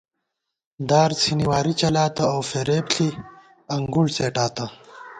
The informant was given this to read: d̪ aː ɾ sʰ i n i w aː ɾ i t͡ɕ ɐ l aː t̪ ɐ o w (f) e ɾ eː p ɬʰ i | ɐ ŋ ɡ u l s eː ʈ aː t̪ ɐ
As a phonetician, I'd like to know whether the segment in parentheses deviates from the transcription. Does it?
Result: no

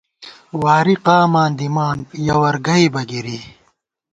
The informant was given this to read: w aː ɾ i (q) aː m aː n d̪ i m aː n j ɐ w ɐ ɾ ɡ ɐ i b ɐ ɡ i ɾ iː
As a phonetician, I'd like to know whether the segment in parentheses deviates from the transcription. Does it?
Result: no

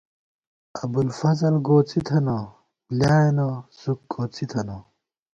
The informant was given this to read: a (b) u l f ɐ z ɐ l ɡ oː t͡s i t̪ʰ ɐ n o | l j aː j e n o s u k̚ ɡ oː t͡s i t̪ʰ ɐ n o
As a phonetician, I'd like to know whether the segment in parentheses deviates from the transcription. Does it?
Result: no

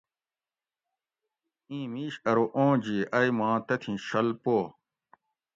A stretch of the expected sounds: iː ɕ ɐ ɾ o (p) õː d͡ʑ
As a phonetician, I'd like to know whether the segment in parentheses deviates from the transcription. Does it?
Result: yes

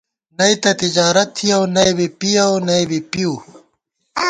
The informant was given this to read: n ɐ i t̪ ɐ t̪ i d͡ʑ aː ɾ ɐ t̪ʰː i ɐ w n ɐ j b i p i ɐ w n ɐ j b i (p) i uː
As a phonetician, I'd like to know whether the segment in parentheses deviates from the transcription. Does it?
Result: no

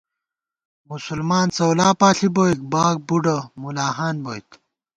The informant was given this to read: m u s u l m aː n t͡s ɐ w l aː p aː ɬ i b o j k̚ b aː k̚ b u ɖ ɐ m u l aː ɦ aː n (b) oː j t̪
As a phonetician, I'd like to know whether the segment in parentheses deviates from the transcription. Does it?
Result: no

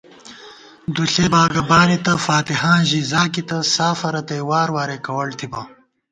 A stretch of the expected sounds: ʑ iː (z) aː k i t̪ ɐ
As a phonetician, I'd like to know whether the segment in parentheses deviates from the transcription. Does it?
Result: no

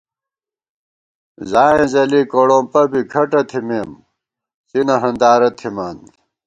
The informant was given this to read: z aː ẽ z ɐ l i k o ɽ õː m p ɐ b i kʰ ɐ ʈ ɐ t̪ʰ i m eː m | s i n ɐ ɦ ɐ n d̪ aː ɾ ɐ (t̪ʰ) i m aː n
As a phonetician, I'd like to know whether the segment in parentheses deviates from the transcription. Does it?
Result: no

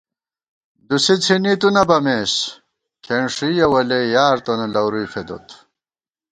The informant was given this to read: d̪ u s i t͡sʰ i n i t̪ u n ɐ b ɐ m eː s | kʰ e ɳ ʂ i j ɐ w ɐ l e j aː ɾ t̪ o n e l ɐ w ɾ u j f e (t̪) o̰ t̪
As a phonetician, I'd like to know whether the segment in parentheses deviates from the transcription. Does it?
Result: yes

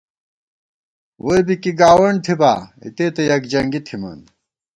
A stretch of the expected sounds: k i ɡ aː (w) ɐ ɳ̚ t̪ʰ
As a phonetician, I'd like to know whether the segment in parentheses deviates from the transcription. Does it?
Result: no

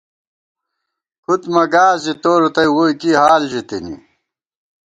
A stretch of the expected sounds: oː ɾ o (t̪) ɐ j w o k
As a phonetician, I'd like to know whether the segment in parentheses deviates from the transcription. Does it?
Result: no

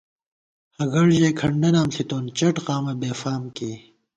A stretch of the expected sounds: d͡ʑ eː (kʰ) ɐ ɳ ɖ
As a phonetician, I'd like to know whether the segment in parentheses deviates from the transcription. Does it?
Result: no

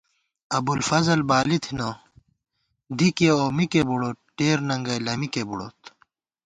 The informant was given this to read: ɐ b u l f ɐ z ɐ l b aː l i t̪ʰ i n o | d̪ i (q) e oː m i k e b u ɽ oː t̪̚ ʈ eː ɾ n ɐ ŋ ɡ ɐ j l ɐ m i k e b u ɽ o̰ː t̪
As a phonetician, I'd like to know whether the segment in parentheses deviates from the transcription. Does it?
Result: yes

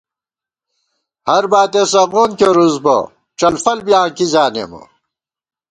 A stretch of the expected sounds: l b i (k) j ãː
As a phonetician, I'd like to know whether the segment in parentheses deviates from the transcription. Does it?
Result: yes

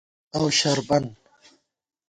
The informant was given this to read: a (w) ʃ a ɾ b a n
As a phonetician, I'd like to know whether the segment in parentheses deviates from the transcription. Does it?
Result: no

